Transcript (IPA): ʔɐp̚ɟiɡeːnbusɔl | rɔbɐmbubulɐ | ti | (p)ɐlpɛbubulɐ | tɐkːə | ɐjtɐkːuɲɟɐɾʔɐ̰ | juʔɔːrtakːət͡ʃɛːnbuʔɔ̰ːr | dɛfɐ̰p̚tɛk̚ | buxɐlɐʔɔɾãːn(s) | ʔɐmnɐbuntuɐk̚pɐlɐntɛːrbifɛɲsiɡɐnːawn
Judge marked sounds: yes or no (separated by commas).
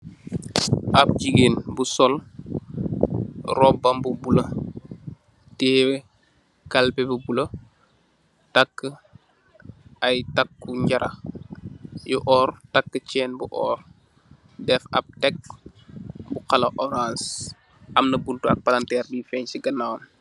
no, yes